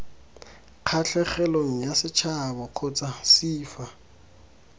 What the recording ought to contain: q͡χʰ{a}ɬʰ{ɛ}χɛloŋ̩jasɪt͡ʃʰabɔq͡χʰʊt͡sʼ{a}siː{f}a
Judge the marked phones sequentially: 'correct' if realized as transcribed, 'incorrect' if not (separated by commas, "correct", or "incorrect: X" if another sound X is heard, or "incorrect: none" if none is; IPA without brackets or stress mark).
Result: correct, correct, correct, correct